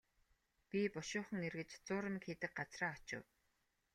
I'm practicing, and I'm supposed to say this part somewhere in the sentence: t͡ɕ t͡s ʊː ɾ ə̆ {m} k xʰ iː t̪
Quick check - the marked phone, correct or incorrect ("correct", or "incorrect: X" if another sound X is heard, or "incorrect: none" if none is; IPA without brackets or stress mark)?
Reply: correct